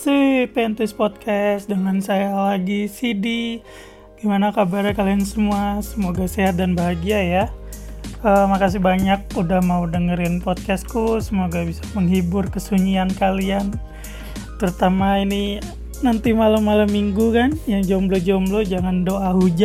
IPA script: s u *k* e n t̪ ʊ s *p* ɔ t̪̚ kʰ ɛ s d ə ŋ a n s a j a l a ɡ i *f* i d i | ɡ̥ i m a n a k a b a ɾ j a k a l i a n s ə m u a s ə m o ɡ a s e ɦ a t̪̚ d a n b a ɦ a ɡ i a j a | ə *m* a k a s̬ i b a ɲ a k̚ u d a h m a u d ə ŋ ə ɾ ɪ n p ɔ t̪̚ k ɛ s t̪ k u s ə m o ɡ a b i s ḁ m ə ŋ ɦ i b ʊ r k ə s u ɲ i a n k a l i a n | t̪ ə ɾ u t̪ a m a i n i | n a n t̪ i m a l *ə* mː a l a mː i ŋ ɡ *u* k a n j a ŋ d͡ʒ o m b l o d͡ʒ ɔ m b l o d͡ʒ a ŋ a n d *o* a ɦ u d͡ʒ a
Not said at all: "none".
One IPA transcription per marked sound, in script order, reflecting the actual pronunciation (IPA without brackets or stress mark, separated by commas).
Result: p, p, s, m, a, u, o